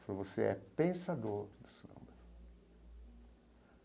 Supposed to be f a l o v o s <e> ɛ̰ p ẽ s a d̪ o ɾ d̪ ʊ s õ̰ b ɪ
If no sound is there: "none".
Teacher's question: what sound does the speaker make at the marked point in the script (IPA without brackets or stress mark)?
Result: e